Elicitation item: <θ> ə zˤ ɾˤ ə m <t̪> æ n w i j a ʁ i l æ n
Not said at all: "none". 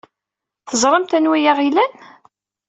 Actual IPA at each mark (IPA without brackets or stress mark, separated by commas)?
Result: θ, t̪